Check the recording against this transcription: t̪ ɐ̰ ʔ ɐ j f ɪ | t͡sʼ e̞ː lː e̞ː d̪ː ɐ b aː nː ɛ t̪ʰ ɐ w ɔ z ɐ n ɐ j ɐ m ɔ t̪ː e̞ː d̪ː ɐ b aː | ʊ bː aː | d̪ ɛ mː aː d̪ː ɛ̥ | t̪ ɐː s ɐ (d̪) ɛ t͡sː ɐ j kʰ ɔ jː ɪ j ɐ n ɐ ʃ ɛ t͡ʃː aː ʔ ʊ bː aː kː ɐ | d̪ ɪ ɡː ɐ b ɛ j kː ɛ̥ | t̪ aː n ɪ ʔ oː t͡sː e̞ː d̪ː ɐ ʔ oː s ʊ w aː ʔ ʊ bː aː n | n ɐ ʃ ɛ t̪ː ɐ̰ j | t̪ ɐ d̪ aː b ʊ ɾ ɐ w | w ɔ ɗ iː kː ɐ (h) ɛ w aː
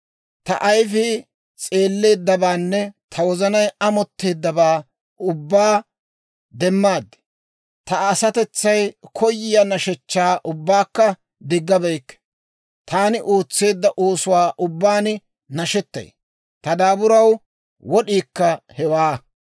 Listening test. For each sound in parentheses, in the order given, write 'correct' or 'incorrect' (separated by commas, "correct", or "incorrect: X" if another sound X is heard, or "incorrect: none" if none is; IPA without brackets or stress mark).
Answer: incorrect: t̪, correct